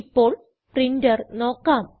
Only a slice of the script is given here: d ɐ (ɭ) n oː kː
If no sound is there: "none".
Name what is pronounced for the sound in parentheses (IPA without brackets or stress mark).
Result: r